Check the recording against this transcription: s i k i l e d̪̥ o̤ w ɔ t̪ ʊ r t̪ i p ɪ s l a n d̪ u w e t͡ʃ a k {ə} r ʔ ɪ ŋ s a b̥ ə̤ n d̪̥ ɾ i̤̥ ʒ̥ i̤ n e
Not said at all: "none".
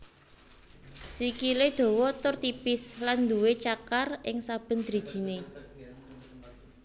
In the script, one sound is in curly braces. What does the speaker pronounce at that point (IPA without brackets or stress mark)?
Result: a